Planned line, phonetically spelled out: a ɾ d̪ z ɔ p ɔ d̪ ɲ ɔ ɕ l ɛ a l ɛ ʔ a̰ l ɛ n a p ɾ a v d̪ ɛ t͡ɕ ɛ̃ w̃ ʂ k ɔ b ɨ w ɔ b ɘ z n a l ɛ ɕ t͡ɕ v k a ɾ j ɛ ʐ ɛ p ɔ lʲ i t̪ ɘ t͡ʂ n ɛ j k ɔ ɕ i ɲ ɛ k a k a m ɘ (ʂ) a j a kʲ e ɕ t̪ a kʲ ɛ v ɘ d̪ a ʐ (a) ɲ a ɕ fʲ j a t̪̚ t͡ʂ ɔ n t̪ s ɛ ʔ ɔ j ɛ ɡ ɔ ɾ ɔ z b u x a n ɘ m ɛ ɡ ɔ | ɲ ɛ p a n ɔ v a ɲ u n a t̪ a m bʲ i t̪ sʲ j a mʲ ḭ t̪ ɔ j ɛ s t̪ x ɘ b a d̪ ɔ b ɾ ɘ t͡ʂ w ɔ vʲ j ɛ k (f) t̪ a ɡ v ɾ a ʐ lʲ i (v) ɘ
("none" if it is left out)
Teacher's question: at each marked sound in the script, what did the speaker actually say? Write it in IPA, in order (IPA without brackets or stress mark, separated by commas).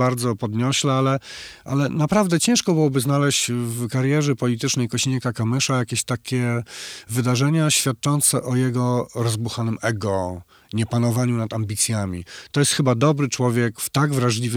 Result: ʂ, ɛ, f, v